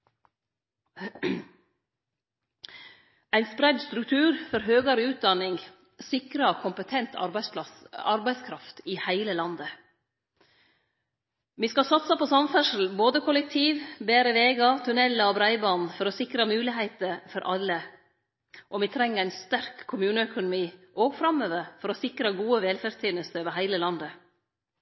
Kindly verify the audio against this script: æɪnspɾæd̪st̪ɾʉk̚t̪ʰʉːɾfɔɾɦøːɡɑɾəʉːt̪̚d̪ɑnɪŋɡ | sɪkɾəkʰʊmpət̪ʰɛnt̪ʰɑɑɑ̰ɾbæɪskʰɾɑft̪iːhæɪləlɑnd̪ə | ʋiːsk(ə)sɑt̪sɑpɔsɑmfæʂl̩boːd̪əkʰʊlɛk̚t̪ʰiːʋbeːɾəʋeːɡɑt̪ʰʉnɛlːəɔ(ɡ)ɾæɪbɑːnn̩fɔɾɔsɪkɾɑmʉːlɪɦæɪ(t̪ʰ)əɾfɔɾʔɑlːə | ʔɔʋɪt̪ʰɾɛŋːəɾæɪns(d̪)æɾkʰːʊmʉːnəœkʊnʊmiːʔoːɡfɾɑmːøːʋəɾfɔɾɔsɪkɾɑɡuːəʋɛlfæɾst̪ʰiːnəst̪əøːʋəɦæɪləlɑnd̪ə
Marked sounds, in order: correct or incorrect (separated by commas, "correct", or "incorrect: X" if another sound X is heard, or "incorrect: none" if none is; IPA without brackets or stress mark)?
incorrect: ɑ, incorrect: b, incorrect: t̪, incorrect: t̪